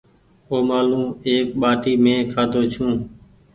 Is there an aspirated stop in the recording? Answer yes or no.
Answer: yes